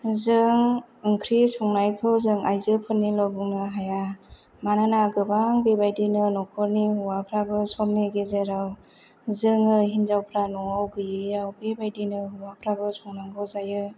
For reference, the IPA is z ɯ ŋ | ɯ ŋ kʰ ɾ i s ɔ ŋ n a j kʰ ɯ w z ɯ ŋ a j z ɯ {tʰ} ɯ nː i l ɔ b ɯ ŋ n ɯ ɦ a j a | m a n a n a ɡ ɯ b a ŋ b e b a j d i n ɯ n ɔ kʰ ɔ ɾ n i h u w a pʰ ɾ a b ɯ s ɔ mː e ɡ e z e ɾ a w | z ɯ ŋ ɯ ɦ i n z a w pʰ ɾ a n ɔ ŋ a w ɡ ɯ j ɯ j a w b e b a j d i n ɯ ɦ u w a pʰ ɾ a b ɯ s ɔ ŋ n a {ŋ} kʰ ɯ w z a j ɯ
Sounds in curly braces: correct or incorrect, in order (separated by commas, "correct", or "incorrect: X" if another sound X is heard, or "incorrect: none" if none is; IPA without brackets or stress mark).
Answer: incorrect: pʰ, correct